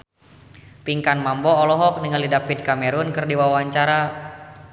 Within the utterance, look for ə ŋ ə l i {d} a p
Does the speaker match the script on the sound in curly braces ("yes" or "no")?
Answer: yes